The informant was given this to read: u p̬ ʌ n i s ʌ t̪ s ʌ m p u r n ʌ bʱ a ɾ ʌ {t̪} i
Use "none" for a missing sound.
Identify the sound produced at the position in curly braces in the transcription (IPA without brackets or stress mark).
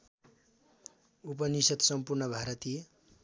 t̪